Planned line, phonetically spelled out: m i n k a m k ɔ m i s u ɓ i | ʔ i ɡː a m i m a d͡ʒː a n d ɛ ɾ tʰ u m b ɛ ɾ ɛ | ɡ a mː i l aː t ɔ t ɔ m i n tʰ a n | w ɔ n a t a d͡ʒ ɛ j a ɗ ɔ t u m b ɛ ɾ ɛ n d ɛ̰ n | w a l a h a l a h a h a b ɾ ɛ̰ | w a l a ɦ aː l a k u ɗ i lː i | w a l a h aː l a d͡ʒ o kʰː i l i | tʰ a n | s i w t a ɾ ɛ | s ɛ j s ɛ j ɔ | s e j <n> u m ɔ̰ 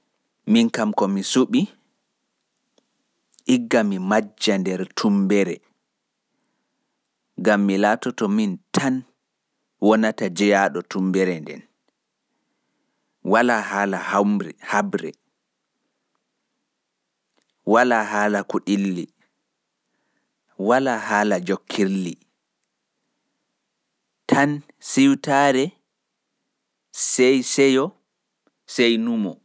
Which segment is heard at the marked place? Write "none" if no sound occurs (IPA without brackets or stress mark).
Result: n